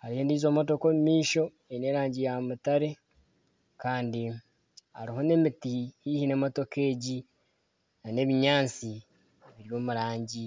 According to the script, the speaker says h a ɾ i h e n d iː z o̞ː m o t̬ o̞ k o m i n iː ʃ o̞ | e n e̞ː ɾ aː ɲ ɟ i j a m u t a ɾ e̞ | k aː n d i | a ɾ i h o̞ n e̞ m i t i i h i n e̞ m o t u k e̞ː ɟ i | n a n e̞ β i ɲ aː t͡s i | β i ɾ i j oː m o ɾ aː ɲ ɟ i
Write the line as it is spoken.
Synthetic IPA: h a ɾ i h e n d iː z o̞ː m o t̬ o̞ k o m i m iː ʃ o̞ | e n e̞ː ɾ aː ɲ ɟ i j a m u t a ɾ e̞ | k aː n d i | a ɾ i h o̞ n e̞ m i t i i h i n e̞ m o t o k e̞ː ɟ i | n a n e̞ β i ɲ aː t͡s i | β i ɾ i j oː m u ɾ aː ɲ ɟ i

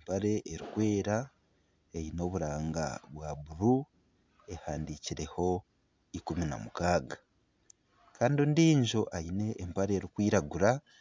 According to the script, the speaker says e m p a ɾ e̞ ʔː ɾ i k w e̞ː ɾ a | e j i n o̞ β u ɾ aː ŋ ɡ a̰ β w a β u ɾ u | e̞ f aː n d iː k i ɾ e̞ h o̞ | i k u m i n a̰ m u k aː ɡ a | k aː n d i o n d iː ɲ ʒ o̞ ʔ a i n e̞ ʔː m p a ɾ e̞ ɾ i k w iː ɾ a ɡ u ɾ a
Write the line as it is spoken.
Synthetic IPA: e m p a ɾ e̞ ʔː ɾ i k w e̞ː ɾ a | e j i n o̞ β u ɾ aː ŋ ɡ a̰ β w a β u ɾ u | e̞ h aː n d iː c i ɾ e̞ h o̞ | i k u m i n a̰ m u k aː ɡ a | k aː n d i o n d iː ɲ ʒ o̞ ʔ a i n e̞ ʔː m p a ɾ e̞ ɾ i k w iː ɾ a ɡ u ɾ a

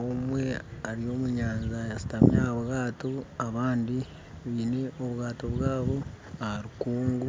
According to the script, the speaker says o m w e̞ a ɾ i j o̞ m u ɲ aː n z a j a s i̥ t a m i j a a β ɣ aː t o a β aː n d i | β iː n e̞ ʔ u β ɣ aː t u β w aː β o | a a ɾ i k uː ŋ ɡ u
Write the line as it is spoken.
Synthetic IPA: o m w e̞ a ɾ i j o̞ m u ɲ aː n z a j a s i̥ t a m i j a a β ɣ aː t o a β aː n d i | β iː n e̞ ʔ o β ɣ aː t o β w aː β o | a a ɾ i k uː ŋ ɡ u

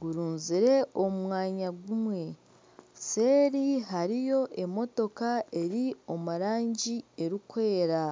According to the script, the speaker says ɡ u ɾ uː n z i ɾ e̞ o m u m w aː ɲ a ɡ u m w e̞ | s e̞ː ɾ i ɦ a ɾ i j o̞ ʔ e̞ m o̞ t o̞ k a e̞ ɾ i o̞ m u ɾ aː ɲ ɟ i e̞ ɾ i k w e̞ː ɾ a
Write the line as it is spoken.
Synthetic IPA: ɡ u ɾ uː n z i ɾ e̞ o m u m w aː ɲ a ɡ u m w e̞ | s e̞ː ɾ i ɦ a ɾ i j o̞ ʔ e̞ m o̞ t o̞ k a e̞ ɾ i o̞ m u ɾ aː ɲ ɟ i e̞ ɾ i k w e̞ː ɾ a

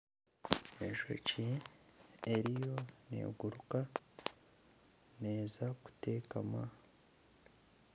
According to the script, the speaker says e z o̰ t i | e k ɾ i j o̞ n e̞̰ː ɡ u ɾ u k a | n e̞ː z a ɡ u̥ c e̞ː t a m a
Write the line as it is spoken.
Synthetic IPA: e ʒ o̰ c i | e ɾ i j o̞ n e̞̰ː ɡ u ɾ u k a | n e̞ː z a k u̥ t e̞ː k a m a

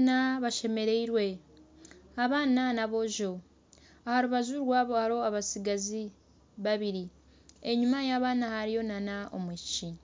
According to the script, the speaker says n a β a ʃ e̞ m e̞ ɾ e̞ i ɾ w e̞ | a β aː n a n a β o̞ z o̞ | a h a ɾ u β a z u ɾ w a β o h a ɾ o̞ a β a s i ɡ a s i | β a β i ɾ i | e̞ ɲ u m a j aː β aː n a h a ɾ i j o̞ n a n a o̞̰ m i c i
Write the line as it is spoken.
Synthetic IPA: n a β a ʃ e̞ m e̞ ɾ e̞ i ɾ w e̞ | a β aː n a n a β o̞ ʒ o̞ | a h a ɾ u β a z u ɾ w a β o h a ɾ o̞ a β a s i ɡ a z i | β a β i ɾ i | e̞ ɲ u m a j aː β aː n a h a ɾ i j o̞ n a n a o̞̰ m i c i

